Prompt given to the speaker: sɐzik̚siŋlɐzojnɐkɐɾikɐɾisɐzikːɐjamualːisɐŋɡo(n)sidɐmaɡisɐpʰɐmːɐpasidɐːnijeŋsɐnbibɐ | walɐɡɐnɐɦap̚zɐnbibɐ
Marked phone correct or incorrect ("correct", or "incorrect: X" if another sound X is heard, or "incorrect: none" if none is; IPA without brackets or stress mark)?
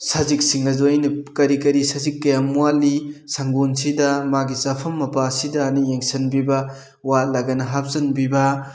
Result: correct